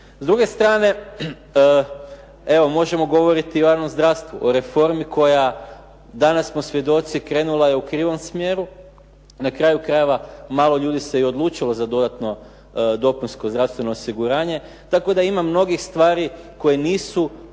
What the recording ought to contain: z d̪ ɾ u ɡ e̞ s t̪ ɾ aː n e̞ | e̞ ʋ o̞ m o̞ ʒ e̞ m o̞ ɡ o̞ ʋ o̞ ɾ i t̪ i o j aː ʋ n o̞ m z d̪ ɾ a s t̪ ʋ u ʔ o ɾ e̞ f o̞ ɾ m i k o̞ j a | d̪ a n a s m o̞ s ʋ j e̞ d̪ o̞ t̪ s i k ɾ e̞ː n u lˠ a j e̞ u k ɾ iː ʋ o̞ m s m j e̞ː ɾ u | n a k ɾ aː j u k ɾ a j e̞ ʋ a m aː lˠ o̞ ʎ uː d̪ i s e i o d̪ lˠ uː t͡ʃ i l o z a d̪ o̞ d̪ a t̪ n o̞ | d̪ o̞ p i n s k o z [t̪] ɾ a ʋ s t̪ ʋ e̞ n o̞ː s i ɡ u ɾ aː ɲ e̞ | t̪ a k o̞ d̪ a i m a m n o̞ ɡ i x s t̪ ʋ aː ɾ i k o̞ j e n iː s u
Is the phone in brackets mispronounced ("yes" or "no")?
yes